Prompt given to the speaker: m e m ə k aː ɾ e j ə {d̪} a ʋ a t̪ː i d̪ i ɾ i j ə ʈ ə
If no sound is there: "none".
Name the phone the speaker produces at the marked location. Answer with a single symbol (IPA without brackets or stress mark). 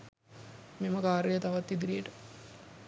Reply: t̪